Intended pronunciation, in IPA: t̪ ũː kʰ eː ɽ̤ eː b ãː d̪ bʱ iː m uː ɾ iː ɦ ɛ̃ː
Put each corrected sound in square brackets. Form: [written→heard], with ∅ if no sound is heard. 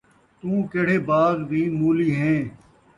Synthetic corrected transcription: t̪ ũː [kʰ→k] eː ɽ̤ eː b [ãː→aː] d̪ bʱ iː m uː [ɾ→l] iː ɦ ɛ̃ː